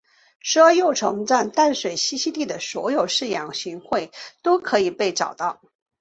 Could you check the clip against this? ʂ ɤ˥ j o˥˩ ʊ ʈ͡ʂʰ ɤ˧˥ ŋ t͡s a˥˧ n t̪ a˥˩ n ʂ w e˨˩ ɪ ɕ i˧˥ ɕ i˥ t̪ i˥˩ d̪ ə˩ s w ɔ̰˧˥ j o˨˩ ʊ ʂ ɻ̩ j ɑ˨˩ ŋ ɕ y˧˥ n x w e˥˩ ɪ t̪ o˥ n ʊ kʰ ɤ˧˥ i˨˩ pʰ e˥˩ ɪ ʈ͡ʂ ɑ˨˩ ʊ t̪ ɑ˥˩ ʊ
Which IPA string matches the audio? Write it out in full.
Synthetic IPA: ʂ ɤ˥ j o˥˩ ʊ ʈ͡ʂʰ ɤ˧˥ ŋ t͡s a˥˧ n t̪ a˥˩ n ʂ w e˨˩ ɪ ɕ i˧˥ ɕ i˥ t̪ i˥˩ d̪ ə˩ s w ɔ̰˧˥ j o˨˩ ʊ ʂ ɻ̩ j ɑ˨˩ ŋ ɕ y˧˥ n x w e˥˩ ɪ t̪ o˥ ʊ kʰ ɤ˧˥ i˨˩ p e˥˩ ɪ ʈ͡ʂ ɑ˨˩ ʊ t̪ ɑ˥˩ ʊ

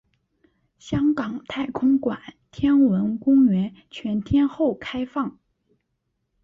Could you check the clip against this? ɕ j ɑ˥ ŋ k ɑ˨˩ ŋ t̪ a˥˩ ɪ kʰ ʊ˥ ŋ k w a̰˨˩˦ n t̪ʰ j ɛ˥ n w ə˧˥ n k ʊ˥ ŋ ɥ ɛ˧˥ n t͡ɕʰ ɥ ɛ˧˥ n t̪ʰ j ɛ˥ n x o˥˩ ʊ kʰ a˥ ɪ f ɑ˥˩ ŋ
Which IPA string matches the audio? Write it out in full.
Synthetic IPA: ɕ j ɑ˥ ŋ k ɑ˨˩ ŋ t̪ʰ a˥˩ ɪ kʰ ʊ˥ ŋ k w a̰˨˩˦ n t̪ʰ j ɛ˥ n w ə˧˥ n k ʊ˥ ŋ ɥ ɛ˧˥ n t͡ɕʰ ɥ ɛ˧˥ n t̪ʰ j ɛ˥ n x o˥˩ ʊ kʰ a˥ ɪ f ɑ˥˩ ŋ

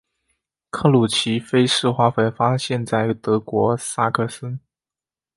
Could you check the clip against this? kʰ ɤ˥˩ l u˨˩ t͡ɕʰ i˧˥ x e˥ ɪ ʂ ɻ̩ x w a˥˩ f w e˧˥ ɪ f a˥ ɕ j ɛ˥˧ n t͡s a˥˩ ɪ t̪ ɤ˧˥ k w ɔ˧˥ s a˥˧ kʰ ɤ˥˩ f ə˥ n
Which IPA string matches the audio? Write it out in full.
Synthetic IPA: kʰ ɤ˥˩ l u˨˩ t͡ɕʰ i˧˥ f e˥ ɪ ʂ ɻ̩ x w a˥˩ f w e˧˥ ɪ f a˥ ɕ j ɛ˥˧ n t͡s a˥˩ ɪ t̪ ɤ˧˥ k w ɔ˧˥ s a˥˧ kʰ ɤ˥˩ s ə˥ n

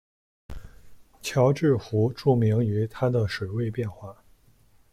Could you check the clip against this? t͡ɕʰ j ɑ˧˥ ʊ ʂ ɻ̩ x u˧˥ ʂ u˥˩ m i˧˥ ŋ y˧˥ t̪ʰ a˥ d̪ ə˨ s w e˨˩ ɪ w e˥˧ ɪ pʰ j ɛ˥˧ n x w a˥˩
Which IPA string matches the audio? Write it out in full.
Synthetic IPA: t͡ɕʰ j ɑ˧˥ ʊ ʈ͡ʂ ɻ̩ x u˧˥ ʈ͡ʂ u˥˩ m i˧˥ ŋ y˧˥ t̪ʰ a˥ d̪ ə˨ ʂ w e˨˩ ɪ w e˥˧ ɪ p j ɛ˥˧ n x w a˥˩

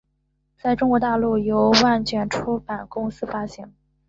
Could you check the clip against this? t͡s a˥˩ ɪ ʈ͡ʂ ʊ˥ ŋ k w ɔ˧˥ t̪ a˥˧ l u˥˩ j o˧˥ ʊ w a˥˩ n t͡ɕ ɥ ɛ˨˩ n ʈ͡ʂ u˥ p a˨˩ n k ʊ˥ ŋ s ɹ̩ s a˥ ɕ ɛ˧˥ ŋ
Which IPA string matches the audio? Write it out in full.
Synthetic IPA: t͡s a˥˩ ɪ ʈ͡ʂ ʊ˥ ŋ k w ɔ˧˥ t̪ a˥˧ l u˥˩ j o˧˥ ʊ w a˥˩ n t͡ɕ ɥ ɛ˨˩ n ʈ͡ʂʰ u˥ p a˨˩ n k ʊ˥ ŋ s ɹ̩ f a˥ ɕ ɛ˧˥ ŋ

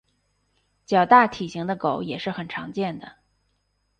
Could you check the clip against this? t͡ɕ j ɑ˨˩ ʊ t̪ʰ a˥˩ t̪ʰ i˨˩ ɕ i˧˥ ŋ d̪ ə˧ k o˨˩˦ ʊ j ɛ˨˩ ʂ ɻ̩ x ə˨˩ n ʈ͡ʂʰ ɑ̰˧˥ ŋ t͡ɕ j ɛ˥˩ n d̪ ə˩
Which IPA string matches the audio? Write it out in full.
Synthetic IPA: t͡ɕ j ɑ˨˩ ʊ t̪ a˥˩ t̪ʰ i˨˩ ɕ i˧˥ ŋ d̪ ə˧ k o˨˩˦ ʊ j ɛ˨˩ ʂ ɻ̩ x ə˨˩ n ʈ͡ʂʰ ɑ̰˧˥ ŋ t͡ɕ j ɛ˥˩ n d̪ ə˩

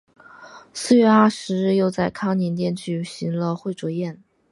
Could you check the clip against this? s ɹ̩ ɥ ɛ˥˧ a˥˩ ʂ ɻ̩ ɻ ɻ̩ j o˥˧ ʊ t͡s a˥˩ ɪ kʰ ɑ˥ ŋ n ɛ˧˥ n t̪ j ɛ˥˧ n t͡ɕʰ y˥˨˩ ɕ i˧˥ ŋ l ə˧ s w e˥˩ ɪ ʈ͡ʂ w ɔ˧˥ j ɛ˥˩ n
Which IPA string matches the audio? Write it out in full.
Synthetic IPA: s ɹ̩ ɥ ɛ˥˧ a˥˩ ʂ ɻ̩ ɻ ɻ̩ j o˥˧ ʊ t͡s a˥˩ ɪ kʰ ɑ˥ ŋ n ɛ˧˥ n t̪ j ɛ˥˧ n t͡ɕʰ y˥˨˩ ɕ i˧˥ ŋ l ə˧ x w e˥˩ ɪ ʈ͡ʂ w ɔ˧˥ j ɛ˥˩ n

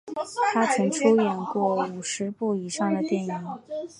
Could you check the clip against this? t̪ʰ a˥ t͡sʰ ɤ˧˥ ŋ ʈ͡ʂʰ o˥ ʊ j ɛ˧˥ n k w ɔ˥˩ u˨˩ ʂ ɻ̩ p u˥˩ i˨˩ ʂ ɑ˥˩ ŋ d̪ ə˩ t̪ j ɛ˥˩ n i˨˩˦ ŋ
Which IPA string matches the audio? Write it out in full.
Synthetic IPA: t̪ʰ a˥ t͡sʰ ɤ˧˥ ŋ ʈ͡ʂʰ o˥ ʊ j ɛ˨˩ n k w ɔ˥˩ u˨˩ ʂ ɻ̩ p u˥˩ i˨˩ ʂ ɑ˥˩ ŋ d̪ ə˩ t̪ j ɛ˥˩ n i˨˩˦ ŋ

